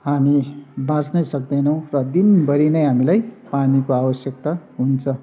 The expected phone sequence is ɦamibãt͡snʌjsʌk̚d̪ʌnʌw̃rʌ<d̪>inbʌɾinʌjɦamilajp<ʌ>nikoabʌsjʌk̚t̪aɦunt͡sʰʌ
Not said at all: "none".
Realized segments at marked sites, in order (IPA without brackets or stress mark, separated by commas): d̪, a